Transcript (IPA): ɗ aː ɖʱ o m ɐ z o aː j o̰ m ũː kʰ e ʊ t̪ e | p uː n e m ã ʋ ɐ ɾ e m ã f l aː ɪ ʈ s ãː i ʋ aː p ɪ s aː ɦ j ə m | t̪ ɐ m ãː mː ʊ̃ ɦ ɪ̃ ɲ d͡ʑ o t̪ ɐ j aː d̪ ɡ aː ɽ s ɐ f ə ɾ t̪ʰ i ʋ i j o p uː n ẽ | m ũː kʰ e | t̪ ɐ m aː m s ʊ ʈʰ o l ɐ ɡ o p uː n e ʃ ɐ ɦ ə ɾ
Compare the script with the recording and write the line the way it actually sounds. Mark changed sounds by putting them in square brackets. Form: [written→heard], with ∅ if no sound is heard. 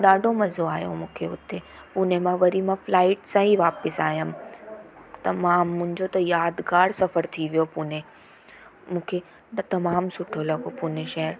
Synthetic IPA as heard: ɗ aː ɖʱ o m ɐ z o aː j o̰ m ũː kʰ e ʊ t̪ e | p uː n e m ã ʋ ɐ ɾ [e→i] m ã f l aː ɪ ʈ s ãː i ʋ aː p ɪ s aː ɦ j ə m | t̪ ɐ m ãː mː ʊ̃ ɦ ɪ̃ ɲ d͡ʑ o t̪ ɐ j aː d̪ ɡ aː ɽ s ɐ f ə ɾ t̪ʰ i ʋ i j o p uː n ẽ | m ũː kʰ e | t̪ ɐ m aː m s ʊ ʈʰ o l ɐ ɡ o p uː n e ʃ ɐ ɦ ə ɾ

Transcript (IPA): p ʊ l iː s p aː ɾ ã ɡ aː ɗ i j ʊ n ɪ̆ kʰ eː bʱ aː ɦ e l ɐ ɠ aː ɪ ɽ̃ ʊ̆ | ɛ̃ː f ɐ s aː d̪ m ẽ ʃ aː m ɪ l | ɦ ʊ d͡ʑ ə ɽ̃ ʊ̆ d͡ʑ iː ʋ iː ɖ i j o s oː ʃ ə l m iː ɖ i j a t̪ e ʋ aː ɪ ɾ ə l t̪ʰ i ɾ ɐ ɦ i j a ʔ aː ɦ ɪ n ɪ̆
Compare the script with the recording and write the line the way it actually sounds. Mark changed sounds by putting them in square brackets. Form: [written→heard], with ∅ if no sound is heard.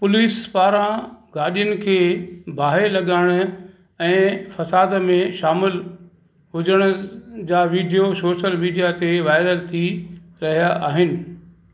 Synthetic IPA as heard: p ʊ l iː s p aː ɾ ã ɡ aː ɗ i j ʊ n ɪ̆ kʰ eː bʱ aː ɦ e l ɐ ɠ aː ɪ ɽ̃ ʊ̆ | ɛ̃ː f ɐ s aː d̪ m ẽ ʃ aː m ɪ l | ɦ ʊ d͡ʑ ə ɽ̃ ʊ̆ d͡ʑ [iː→aː] ʋ iː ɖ i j o s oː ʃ ə l m iː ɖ i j a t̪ e ʋ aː ɪ ɾ ə l t̪ʰ i ɾ ɐ ɦ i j a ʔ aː ɦ ɪ n ɪ̆

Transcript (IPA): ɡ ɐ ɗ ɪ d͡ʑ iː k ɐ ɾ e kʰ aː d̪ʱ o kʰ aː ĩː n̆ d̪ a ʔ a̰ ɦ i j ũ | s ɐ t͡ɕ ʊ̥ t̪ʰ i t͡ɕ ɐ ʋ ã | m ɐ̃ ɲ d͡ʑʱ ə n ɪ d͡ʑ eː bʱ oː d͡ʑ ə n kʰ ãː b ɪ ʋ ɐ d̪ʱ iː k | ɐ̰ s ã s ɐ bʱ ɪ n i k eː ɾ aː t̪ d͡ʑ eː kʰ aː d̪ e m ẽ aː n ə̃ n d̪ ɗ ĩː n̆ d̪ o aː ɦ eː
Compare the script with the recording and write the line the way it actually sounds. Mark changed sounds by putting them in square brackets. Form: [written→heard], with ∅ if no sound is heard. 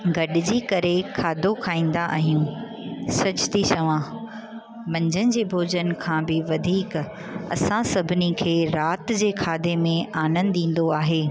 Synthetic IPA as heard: ɡ ɐ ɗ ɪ d͡ʑ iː k ɐ ɾ e kʰ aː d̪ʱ o kʰ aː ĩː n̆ d̪ a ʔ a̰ ɦ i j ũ | s ɐ t͡ɕ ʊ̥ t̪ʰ i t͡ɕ ɐ ʋ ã | m ɐ̃ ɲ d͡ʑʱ ə n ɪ d͡ʑ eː bʱ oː d͡ʑ ə n kʰ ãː b ɪ ʋ ɐ d̪ʱ iː k | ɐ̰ s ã s ɐ bʱ ɪ n i [k→kʰ] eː ɾ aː t̪ d͡ʑ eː kʰ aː d̪ e m ẽ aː n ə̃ n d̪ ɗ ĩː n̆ d̪ o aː ɦ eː

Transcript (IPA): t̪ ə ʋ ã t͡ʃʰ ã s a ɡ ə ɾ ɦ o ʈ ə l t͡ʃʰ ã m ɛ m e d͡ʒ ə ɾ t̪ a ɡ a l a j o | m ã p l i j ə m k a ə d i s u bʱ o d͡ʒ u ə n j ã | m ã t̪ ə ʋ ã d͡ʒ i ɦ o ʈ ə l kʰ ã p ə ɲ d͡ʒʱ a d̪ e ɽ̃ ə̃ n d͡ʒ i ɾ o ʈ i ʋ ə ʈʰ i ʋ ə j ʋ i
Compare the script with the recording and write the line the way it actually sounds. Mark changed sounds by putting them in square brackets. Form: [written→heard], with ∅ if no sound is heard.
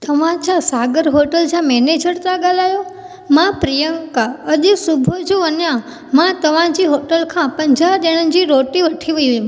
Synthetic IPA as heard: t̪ ə ʋ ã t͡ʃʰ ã s a ɡ ə ɾ ɦ o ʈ ə l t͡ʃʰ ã m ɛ [m→n] e d͡ʒ ə ɾ t̪ a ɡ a l a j o | m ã p [l→ɾ] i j ə [m→ŋ] k a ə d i s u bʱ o d͡ʒ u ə n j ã | m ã t̪ ə ʋ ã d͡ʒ i ɦ o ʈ ə l kʰ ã p ə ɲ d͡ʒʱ a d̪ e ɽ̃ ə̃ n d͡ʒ i ɾ o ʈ i ʋ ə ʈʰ i ʋ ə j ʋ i

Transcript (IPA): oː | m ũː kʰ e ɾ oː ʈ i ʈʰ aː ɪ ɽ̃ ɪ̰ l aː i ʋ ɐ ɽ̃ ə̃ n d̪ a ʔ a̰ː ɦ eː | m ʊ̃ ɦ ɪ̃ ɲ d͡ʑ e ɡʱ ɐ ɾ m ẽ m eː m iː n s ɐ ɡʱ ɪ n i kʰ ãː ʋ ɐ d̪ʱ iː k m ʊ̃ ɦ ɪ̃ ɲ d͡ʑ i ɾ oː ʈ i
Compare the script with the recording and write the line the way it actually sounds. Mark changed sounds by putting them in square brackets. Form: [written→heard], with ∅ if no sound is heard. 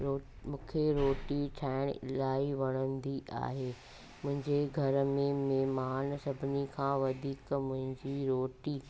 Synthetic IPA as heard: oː | m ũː kʰ e ɾ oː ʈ i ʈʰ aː ɪ ɽ̃ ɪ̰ l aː i ʋ ɐ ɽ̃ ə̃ n d̪ [a→i] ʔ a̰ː ɦ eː | m ʊ̃ ɦ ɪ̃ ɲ d͡ʑ e ɡʱ ɐ ɾ m ẽ m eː m [iː→aː] n s ɐ [ɡʱ→bʱ] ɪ n i kʰ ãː ʋ ɐ d̪ʱ iː k m ʊ̃ ɦ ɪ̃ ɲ d͡ʑ i ɾ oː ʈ i

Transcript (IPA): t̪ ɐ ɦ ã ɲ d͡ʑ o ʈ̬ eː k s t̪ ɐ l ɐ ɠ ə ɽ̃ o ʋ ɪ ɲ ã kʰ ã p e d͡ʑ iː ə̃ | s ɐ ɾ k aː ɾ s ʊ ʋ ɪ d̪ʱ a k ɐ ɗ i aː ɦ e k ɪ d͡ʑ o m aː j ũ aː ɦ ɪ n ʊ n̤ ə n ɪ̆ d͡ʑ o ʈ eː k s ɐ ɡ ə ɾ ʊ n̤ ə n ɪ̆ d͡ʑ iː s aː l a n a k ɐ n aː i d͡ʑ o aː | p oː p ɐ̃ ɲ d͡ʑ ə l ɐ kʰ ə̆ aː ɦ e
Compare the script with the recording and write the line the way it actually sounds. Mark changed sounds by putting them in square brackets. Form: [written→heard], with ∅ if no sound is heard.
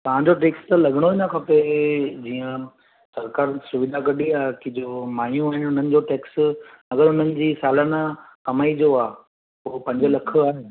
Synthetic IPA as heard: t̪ ɐ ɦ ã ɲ d͡ʑ o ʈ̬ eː k s t̪ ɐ l ɐ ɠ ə ɽ̃ o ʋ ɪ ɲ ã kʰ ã p e d͡ʑ iː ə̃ | s ɐ ɾ k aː ɾ s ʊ ʋ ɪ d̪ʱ a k ɐ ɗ i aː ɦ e k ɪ d͡ʑ o m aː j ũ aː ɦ ɪ n ʊ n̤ ə n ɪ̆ d͡ʑ o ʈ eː k s ɐ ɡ ə ɾ ʊ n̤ ə n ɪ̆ d͡ʑ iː s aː l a n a k ɐ [n→m] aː i d͡ʑ o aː | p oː p ɐ̃ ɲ d͡ʑ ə l ɐ kʰ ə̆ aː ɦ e

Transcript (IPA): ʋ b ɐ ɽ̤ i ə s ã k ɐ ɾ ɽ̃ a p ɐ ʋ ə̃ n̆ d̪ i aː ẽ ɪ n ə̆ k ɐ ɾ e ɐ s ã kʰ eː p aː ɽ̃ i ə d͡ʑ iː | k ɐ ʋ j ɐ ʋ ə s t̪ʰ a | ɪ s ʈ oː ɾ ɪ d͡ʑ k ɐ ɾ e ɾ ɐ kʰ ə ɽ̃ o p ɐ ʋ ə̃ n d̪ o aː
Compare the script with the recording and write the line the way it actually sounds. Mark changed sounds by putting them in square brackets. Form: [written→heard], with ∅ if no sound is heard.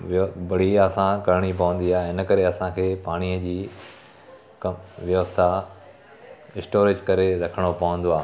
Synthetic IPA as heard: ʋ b ɐ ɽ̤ i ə s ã k ɐ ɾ ɽ̃ [a→i] p ɐ ʋ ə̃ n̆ d̪ i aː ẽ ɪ n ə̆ k ɐ ɾ e ɐ s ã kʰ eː p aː ɽ̃ i ə d͡ʑ iː | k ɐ ʋ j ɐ ʋ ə s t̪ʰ a | ɪ s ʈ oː ɾ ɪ d͡ʑ k ɐ ɾ e ɾ ɐ kʰ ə ɽ̃ o p ɐ ʋ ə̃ n d̪ o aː

